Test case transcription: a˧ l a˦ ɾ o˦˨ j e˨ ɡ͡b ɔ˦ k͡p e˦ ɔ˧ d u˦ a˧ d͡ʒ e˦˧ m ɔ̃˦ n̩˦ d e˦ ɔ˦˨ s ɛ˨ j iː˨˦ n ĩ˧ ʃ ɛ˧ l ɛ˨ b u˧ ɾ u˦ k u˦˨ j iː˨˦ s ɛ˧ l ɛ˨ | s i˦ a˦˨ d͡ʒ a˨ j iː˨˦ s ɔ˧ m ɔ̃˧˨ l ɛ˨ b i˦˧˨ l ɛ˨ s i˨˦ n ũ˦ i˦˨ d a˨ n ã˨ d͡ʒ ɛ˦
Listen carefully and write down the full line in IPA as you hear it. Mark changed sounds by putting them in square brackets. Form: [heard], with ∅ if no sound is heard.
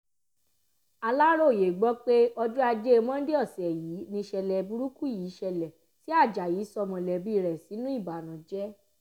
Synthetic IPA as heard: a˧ l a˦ ɾ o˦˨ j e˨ ɡ͡b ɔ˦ k͡p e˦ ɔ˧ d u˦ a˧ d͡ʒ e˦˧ m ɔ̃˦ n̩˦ d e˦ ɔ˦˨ s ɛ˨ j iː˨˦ n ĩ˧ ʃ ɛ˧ l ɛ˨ b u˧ ɾ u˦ k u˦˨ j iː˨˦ [ʃ] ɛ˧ l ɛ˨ | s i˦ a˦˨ d͡ʒ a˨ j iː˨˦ s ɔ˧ m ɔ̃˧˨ l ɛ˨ b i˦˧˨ [ɾ] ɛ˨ s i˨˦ n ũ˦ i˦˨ [b] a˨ n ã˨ d͡ʒ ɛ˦